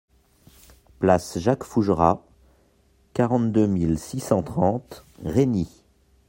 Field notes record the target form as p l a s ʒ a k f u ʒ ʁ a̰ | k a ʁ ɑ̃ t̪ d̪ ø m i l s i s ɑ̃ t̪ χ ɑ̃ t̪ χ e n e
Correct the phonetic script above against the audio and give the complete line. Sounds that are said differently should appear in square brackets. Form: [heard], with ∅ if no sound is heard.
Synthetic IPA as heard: p l a s ʒ a k f u ʒ ʁ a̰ | k a ʁ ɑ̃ t̪ d̪ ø m i l s i s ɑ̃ t̪ χ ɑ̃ t̪ [ʁ] e n [i]